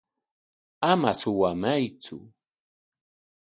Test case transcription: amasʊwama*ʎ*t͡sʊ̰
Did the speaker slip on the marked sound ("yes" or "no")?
yes